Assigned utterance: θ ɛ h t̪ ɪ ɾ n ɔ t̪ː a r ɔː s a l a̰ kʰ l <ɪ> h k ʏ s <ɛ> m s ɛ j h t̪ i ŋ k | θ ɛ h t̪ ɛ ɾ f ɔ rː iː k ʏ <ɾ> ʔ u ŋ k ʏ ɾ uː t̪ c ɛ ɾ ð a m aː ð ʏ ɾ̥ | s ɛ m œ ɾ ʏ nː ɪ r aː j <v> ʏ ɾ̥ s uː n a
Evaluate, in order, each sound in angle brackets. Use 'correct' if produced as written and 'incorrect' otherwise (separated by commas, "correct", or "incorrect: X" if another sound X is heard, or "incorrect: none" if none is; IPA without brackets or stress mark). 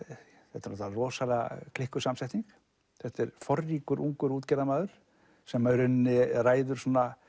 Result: correct, incorrect: a, correct, incorrect: ð